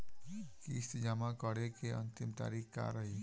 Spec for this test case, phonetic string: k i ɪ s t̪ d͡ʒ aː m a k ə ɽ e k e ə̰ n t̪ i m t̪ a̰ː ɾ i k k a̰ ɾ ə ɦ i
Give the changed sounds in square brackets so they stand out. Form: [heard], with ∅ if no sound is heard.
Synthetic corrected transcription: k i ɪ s t̪ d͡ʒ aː m a k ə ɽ e k e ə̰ n t̪ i m t̪ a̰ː ɾ i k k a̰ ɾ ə ɦ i